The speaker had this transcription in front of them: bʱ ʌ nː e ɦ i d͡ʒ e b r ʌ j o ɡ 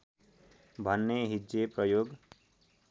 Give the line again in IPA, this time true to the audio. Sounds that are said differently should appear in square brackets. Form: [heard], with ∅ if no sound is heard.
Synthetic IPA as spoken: bʱ ʌ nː e ɦ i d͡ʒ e [p] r ʌ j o ɡ